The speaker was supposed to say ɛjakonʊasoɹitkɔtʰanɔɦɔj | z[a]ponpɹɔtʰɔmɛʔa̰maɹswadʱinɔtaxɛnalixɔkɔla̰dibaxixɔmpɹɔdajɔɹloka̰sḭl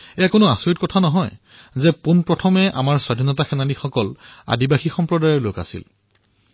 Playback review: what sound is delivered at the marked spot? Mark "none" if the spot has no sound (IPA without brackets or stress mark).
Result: ɛ